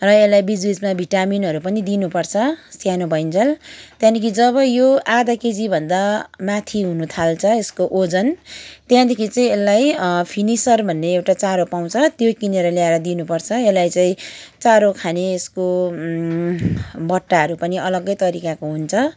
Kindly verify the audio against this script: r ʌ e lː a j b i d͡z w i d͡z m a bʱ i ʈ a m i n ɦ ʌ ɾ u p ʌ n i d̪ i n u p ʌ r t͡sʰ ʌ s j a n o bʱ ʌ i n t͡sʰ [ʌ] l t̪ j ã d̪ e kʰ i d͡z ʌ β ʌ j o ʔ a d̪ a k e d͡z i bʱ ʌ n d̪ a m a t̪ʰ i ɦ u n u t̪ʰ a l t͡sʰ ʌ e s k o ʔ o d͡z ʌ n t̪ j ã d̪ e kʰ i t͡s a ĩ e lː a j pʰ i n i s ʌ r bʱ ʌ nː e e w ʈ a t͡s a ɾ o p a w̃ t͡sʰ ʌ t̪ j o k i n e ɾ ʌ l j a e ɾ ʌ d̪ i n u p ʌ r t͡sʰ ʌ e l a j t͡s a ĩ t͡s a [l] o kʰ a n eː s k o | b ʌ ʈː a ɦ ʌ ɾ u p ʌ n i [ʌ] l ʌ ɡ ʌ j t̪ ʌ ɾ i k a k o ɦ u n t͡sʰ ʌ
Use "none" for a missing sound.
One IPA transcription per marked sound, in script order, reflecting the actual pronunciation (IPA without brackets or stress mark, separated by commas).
ʌ, ɾ, ʌ